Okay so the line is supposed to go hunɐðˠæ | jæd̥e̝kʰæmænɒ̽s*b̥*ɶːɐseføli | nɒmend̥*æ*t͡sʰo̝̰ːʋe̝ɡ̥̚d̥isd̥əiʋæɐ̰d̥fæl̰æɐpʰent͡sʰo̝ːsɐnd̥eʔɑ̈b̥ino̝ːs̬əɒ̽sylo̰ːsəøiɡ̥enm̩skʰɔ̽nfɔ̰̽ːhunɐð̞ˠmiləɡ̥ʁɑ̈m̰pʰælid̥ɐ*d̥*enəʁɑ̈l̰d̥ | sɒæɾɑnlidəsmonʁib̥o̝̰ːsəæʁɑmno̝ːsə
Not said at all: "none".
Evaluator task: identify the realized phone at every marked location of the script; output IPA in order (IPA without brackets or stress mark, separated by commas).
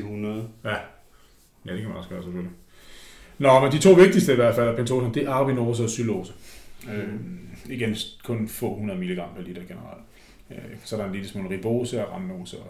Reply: ɡ̥, i, ɡ̥